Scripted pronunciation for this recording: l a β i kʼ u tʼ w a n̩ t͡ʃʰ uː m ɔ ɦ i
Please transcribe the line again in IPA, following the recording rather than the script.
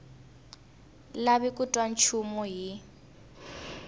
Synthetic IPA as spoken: l a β i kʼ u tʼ w a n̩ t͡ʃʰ u m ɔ ɦ i